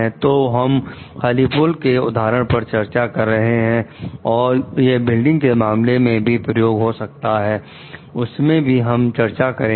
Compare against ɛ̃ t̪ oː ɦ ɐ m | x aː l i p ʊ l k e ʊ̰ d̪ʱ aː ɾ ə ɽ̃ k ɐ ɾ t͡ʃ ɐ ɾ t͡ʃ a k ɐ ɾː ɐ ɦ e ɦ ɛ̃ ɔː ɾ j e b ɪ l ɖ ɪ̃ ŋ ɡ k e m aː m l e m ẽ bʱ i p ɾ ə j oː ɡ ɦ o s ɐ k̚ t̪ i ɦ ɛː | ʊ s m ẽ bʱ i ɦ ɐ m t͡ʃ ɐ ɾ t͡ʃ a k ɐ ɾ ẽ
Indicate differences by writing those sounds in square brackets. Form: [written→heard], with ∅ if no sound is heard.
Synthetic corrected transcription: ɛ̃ t̪ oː ɦ ɐ m | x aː l i p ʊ l k e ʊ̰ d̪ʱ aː ɾ ə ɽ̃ [k→p] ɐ ɾ t͡ʃ ɐ ɾ t͡ʃ a k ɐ ɾː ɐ ɦ e ɦ ɛ̃ ɔː ɾ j e b ɪ l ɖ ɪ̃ ŋ ɡ k e m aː m l e m ẽ bʱ i p ɾ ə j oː ɡ ɦ o s ɐ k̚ t̪ [i→a] ɦ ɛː | ʊ s m ẽ bʱ i ɦ ɐ m t͡ʃ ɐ ɾ t͡ʃ a k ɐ ɾ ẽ